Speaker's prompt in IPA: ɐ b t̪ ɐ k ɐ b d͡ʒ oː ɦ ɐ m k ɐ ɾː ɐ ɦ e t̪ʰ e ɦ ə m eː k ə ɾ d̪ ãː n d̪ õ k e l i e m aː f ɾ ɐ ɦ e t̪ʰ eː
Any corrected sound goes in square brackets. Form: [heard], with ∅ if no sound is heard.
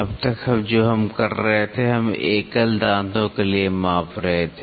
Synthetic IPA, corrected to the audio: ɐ b t̪ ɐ k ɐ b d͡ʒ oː ɦ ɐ m k ɐ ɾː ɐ ɦ e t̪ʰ e ɦ [ɐ] m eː k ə [l] d̪ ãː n d̪ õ k e l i e m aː f ɾ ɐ ɦ e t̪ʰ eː